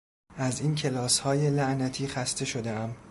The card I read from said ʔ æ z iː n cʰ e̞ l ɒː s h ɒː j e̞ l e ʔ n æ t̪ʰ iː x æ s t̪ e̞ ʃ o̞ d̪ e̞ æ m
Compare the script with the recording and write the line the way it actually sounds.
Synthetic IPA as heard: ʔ æ z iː n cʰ e̞ l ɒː s h ɒː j e̞ l æ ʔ n æ t̪ʰ iː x æ s t̪ e̞ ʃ o̞ d̪ e̞ æ m